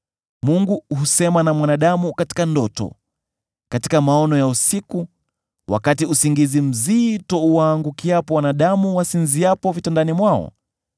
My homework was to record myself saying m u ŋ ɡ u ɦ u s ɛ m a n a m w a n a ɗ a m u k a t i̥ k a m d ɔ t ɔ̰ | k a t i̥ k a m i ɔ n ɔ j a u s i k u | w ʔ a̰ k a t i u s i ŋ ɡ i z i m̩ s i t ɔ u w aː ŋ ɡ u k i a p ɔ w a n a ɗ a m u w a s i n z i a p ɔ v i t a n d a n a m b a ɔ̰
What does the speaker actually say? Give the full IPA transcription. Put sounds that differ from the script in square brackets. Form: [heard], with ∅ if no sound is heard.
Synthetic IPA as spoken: m u ŋ ɡ u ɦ u s ɛ m a n a m w a n a ɗ a m u k a t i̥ k a [n] d ɔ t ɔ̰ | k a t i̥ k a m [a] ɔ n ɔ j a u s i k u | w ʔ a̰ k a t i u s i ŋ ɡ i z i m̩ [z] i t ɔ u w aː ŋ ɡ u k i a p ɔ w a n a ɗ a m u w a s i n z i a p ɔ v i t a n d a n [i] m [w] a ɔ̰